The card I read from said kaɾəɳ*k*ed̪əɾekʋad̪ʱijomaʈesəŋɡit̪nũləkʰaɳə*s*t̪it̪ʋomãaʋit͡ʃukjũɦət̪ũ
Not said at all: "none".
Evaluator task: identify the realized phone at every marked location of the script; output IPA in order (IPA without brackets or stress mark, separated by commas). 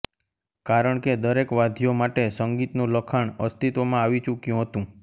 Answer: k, s